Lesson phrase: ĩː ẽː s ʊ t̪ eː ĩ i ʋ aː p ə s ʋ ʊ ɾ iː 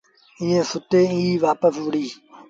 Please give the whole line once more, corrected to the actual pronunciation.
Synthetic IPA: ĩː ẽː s ʊ t̪ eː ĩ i ʋ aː p ə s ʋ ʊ ɽ iː